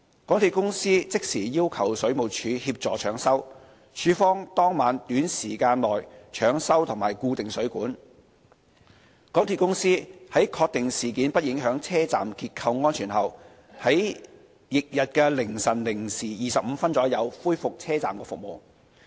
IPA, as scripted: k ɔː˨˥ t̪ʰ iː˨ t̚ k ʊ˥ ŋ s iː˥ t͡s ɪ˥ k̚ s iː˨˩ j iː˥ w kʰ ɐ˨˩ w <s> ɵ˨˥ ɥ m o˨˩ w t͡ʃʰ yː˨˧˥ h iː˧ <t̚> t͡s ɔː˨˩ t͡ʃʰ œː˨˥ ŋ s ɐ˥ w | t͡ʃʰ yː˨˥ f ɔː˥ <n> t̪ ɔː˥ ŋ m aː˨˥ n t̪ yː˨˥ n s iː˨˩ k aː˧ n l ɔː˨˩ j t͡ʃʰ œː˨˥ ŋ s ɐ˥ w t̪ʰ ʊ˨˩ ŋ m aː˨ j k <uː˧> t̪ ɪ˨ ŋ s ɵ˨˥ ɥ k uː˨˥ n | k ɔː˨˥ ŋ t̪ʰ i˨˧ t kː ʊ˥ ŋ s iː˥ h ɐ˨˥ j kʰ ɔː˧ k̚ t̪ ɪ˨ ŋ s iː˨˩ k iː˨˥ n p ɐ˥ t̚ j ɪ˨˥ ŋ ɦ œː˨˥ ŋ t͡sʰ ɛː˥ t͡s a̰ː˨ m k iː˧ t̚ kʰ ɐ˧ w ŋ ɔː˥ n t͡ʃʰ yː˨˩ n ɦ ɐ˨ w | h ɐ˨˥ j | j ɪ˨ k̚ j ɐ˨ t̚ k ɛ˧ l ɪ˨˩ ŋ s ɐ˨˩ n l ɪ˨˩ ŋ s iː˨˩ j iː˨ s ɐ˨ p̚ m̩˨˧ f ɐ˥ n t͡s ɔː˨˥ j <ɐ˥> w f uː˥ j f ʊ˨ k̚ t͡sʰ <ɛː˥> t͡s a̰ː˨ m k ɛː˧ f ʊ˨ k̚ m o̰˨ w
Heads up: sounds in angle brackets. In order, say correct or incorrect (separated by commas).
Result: correct, incorrect, incorrect, correct, incorrect, correct